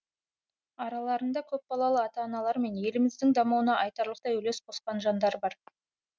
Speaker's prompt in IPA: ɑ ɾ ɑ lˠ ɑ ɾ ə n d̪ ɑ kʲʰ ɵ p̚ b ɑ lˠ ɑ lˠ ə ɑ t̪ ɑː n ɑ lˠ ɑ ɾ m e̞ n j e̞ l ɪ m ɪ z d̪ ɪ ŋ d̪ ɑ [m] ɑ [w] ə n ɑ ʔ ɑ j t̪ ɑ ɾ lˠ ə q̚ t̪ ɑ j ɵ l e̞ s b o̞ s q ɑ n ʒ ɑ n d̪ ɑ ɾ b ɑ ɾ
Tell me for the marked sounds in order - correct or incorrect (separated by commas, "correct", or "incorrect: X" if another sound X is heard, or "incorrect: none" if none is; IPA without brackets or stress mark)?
correct, correct